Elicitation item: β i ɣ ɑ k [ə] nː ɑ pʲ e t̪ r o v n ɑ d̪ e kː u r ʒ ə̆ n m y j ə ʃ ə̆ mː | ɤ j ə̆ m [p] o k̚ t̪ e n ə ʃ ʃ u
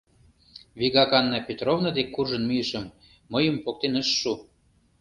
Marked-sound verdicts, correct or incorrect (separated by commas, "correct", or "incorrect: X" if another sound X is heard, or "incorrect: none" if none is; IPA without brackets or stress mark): incorrect: ɑ, correct